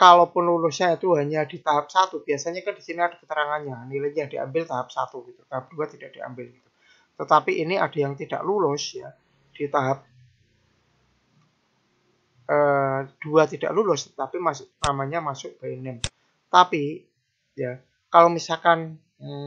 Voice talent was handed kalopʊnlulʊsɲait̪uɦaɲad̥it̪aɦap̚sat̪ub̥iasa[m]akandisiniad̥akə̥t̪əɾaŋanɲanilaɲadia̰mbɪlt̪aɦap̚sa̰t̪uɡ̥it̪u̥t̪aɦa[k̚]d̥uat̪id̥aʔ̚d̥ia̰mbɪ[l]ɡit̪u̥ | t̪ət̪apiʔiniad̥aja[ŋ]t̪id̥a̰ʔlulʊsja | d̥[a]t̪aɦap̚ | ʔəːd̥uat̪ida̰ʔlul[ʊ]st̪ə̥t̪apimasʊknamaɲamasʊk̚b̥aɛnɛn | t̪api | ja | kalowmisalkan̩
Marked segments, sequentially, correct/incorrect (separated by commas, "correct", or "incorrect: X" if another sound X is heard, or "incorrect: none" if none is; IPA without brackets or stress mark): incorrect: ɲ, incorrect: p̚, correct, correct, incorrect: i, correct